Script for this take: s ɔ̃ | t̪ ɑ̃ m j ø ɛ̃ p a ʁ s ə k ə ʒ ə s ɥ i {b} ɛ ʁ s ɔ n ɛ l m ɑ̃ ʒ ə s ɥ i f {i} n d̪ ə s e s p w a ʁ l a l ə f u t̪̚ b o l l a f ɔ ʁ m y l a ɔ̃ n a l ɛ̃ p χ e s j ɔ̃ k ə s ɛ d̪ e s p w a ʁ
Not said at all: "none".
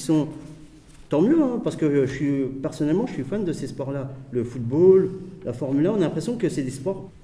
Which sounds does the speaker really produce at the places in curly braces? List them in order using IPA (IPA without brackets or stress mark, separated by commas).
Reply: p, a